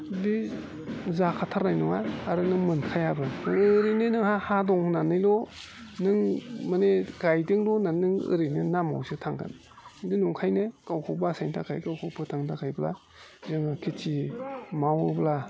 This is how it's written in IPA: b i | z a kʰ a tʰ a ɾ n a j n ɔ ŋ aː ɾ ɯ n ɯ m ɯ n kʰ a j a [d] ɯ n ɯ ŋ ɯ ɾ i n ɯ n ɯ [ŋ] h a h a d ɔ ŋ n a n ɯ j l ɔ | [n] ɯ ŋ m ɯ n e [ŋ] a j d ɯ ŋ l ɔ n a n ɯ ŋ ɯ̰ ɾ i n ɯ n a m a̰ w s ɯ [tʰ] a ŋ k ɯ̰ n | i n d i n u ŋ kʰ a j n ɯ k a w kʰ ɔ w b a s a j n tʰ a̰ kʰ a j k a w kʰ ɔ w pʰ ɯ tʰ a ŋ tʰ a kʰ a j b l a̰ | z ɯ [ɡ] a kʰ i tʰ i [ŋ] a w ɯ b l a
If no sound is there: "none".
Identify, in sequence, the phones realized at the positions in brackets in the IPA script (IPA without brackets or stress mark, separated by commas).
b, ŋ, n, ɡ, tʰ, ŋ, m